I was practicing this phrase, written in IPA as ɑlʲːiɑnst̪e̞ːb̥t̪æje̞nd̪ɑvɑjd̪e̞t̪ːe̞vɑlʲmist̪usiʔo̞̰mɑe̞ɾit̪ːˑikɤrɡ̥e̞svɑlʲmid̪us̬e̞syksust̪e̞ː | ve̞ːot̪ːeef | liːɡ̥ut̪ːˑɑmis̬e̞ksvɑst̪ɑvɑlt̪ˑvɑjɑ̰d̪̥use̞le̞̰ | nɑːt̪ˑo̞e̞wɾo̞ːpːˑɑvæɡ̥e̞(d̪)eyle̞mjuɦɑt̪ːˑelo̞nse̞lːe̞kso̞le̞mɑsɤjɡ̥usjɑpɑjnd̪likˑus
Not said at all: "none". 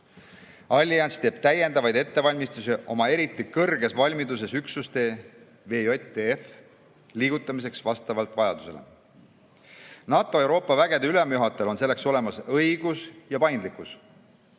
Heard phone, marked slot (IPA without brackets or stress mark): d̪